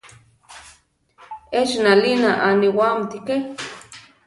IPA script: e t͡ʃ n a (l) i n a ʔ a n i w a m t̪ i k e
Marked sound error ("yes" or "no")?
no